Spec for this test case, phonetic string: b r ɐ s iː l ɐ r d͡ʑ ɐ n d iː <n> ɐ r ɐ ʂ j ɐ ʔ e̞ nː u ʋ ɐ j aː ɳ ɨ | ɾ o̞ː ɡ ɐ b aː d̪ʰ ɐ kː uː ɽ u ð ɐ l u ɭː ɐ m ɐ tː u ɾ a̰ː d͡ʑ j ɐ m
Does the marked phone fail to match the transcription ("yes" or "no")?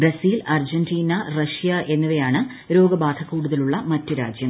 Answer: no